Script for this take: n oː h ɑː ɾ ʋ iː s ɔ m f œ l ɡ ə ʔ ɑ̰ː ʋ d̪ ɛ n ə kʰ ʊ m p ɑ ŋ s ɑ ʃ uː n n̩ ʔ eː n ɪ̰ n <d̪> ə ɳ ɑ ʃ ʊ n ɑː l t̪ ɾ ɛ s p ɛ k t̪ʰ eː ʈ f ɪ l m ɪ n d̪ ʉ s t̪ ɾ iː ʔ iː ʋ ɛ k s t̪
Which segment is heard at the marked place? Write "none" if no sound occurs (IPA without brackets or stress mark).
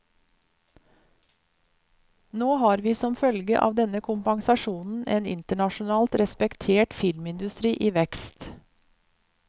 t̪